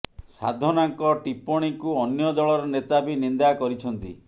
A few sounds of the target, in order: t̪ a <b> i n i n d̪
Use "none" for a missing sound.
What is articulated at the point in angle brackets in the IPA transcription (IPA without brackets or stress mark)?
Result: b